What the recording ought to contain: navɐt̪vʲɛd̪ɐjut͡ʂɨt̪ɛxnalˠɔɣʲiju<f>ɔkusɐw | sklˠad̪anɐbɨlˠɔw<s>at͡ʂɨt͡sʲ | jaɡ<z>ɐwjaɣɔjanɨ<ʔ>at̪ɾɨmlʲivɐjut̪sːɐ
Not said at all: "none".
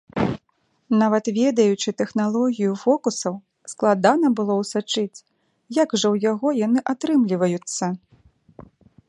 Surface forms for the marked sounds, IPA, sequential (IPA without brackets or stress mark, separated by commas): f, s, ʐ, ʔ